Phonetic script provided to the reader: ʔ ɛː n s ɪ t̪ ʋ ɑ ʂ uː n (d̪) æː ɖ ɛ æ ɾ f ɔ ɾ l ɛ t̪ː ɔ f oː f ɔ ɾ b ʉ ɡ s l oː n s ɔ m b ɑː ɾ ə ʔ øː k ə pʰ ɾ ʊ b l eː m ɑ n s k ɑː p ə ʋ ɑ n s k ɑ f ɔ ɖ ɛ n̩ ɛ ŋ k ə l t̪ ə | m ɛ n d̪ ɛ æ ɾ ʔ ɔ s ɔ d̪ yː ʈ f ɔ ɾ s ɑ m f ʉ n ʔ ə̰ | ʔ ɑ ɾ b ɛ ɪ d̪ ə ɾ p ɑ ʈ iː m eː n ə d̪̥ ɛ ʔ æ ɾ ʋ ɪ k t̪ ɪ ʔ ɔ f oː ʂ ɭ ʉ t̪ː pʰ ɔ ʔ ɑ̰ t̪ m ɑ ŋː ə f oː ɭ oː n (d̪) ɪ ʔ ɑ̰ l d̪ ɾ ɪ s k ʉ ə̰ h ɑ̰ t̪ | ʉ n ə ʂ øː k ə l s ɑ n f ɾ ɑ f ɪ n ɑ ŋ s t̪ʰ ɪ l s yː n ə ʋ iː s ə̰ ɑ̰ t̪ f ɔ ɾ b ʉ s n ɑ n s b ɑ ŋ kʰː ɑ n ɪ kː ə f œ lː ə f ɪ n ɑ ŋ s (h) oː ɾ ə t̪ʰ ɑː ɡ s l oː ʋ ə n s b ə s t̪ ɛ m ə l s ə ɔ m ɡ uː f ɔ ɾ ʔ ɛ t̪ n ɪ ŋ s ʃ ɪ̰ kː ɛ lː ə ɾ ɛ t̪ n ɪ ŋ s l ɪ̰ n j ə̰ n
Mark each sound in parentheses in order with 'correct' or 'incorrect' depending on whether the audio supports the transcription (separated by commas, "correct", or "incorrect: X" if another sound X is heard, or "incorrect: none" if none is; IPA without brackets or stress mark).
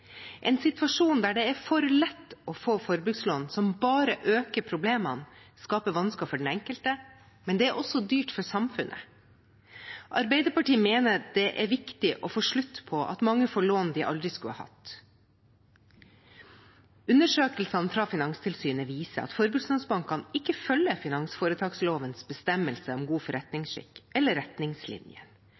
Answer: correct, correct, incorrect: f